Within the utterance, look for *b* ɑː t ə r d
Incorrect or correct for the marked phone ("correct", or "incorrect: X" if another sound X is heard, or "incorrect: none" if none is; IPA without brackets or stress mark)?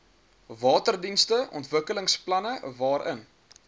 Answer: incorrect: v